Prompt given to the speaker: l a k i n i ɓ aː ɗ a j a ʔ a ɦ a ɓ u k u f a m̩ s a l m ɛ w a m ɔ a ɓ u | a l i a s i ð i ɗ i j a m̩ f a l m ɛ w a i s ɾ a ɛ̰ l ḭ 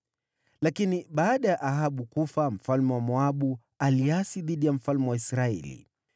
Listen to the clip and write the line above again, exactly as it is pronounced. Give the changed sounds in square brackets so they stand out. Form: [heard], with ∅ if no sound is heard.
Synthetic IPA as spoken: l a k i n i ɓ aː ɗ a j a ʔ a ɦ a ɓ u k u f a m̩ [f] a l m ɛ w a m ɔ a ɓ u | a l i a s i ð i ɗ i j a m̩ f a l m ɛ w a i s ɾ a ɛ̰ l ḭ

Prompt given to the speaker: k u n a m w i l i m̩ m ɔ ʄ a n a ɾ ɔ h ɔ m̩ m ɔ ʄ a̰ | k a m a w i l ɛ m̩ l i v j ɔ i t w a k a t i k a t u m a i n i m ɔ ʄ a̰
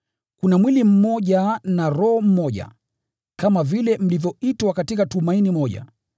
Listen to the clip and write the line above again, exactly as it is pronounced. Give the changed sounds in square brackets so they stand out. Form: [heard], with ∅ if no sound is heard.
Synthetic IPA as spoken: k u n a m w i l i m̩ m ɔ ʄ a n a ɾ ɔ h ɔ m̩ m ɔ ʄ a̰ | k a m a [v] i l ɛ m̩ l i v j ɔ i t w a k a t i k a t u m a i n i m ɔ ʄ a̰

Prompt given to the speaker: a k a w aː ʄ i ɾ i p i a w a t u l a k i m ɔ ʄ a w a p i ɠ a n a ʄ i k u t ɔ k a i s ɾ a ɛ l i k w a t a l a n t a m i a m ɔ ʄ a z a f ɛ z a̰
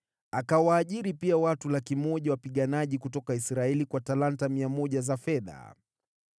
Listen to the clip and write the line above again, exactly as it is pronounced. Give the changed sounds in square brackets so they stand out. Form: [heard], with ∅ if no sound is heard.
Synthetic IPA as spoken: a k a w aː ʄ i ɾ i p i a w a t u l a k i m ɔ ʄ a w a p i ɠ a n a ʄ i k u t ɔ k a i s ɾ a ɛ l i k w a t a l a n t a m i a m ɔ ʄ a z a f ɛ [ð] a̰

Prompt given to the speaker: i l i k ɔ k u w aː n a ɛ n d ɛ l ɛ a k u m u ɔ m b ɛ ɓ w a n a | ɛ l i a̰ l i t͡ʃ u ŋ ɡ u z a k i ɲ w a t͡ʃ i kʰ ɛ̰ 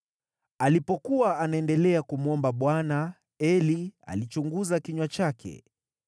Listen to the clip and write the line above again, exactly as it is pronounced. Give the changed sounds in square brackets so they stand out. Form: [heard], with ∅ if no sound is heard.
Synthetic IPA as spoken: [a] l i [p] ɔ k u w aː n a ɛ n d ɛ l ɛ a k u m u ɔ m b [a] ɓ w a n a | ɛ l i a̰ l i t͡ʃ u ŋ ɡ u z a k i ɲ w a t͡ʃ [a] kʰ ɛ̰

